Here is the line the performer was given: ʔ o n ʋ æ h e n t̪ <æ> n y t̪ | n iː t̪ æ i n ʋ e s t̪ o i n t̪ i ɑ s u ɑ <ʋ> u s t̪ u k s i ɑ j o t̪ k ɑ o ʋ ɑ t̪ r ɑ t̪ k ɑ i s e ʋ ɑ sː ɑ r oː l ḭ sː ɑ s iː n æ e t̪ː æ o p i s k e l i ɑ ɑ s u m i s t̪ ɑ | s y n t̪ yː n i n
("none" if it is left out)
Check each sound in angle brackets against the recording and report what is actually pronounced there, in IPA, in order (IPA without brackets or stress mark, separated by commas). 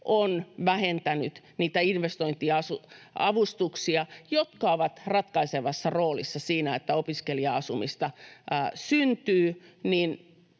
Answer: æ, ʋ